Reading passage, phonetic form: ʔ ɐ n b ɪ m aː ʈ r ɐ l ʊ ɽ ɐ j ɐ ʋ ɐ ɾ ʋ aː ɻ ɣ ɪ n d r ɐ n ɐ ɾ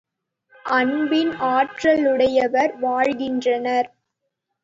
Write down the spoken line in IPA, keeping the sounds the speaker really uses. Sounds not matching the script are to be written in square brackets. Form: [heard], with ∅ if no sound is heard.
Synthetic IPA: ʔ ɐ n b ɪ [n] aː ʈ r ɐ l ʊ ɽ ɐ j ɐ ʋ ɐ ɾ ʋ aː ɻ ɣ ɪ n d r ɐ n ɐ ɾ